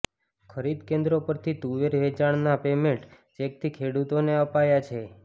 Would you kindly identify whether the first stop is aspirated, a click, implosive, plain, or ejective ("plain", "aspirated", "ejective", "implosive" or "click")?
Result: aspirated